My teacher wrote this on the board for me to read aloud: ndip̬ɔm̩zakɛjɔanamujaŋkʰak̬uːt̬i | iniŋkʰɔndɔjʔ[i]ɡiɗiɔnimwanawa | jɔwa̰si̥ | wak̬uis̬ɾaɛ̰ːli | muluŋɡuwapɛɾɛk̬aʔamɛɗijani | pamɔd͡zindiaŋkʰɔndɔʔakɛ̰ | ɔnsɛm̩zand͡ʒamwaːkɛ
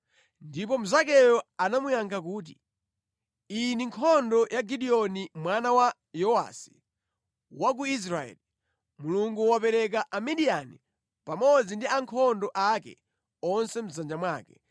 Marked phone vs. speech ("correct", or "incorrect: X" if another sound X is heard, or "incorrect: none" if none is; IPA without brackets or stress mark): incorrect: a